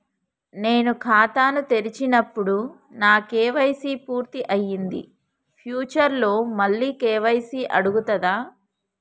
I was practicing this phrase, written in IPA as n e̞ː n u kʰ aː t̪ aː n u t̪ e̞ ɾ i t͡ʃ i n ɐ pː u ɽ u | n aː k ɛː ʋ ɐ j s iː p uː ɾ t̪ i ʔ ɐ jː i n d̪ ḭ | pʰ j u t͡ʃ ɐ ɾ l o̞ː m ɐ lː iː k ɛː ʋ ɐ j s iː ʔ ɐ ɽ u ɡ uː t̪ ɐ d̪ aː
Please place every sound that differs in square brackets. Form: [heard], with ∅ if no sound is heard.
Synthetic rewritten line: n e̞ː n u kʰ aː t̪ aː n u t̪ e̞ ɾ i t͡ʃ i n ɐ pː u ɽ u | n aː k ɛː ʋ ɐ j s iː p uː ɾ t̪ i ʔ ɐ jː i n d̪ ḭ | pʰ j [uː] t͡ʃ ɐ ɾ l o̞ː m ɐ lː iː k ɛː ʋ ɐ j s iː ʔ ɐ ɽ u ɡ [u] t̪ ɐ d̪ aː